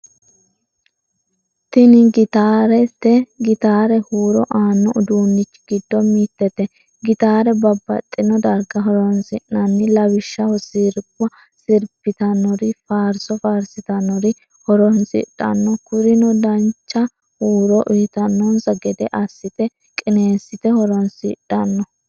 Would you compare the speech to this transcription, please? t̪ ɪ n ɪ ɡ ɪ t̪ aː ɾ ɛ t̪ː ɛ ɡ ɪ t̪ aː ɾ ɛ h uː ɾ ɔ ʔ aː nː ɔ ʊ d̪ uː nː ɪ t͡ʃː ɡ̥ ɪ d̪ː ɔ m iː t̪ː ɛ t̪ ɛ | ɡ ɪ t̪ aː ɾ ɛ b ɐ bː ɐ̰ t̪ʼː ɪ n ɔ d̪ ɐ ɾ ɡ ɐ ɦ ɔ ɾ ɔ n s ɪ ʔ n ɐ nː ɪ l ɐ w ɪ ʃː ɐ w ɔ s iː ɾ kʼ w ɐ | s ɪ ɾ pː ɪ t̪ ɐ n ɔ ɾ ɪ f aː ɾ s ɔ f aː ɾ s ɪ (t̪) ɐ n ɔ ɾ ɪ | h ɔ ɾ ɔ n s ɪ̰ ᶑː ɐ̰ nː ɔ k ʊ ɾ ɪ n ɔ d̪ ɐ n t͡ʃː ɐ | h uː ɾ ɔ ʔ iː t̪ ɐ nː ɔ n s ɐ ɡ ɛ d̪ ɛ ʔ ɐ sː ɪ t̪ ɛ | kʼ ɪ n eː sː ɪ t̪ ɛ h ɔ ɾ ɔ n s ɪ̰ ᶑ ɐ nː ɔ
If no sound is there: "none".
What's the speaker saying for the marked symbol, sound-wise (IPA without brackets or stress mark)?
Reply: t̪